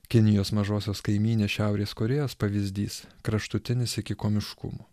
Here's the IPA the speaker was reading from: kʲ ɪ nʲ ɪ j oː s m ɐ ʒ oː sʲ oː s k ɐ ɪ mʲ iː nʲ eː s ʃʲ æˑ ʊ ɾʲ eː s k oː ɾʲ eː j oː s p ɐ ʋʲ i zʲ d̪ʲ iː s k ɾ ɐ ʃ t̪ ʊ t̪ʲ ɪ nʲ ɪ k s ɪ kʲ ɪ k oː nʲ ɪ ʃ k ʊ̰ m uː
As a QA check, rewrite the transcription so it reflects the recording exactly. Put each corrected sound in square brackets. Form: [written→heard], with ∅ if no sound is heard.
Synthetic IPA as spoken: kʲ ɪ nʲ ɪ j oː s m ɐ ʒ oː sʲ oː s k ɐ ɪ mʲ iː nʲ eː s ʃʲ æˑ ʊ ɾʲ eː s k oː ɾʲ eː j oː s p ɐ ʋʲ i zʲ d̪ʲ iː s k ɾ ɐ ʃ t̪ ʊ t̪ʲ ɪ nʲ ɪ [k→∅] s ɪ kʲ ɪ k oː [nʲ→mʲ] ɪ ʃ k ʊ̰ m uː